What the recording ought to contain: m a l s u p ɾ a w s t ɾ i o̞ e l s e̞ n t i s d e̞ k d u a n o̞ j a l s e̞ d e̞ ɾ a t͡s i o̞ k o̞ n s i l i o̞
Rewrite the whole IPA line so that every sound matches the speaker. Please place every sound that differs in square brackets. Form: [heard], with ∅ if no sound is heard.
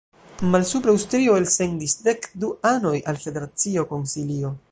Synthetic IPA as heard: m a l s u p ɾ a w s t ɾ i o̞ e l s e̞ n [d] i s d e̞ k d u a n o̞ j a l [f] e̞ d e̞ ɾ a t͡s i o̞ k o̞ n s i l i o̞